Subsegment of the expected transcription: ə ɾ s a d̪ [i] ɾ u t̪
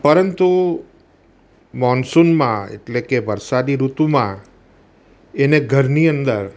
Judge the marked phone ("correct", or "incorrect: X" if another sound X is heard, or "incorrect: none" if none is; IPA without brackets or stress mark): correct